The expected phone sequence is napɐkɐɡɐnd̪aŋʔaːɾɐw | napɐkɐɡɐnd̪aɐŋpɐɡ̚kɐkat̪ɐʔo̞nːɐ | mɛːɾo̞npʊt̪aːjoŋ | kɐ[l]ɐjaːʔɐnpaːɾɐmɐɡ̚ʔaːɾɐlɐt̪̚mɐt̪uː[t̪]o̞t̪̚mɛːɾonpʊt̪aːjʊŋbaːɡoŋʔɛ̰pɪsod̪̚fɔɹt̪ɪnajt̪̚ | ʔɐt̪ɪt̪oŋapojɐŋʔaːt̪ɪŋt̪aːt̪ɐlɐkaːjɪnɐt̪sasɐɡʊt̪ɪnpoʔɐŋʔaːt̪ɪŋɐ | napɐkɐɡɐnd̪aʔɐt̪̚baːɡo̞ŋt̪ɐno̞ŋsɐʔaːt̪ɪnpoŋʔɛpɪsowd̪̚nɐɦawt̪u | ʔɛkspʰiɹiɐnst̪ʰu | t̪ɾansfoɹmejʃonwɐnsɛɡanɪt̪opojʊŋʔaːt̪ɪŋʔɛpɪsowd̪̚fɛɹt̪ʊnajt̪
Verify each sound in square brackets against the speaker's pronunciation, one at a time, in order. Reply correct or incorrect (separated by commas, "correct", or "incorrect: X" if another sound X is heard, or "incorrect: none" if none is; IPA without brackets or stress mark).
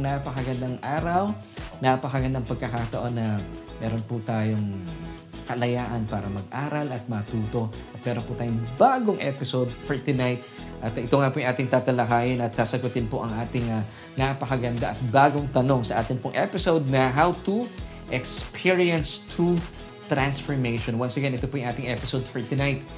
correct, correct